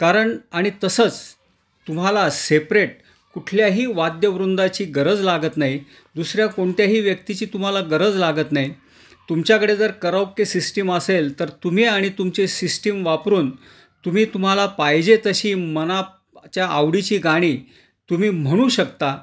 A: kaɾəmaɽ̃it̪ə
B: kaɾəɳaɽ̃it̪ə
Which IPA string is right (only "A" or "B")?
B